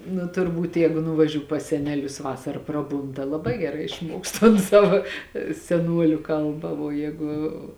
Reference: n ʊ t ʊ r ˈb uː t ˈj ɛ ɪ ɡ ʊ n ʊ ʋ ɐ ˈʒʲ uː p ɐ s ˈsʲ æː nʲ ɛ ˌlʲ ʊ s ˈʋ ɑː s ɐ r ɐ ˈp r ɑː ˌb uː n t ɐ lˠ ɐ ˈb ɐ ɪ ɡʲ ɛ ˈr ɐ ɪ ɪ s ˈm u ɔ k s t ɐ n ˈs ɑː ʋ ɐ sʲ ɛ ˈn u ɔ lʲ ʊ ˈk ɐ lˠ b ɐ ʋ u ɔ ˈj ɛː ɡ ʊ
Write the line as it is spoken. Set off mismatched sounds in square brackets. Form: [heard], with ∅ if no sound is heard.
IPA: n ʊ t ʊ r ˈb uː t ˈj ɛ ɪ ɡ ʊ n ʊ ʋ ɐ ˈʒʲ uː p ɐ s ˈsʲ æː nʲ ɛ ˌlʲ ʊ s ˈʋ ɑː s ɐ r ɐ ˈp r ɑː ˌb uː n t ɐ lˠ ɐ ˈb ɐ ɪ ɡʲ ɛ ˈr ɐ ɪ ɪ [ʃ] ˈm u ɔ k s t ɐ n ˈs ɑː ʋ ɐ sʲ ɛ ˈn u ɔ lʲ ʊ ˈk ɐ lˠ b ɐ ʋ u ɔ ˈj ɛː ɡ ʊ